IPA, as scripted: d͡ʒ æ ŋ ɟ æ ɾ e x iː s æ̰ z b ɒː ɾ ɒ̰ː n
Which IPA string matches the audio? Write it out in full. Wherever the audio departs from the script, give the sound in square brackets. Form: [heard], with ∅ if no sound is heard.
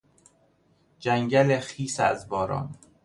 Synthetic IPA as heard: d͡ʒ æ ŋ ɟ æ [l] e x iː s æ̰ z b ɒː ɾ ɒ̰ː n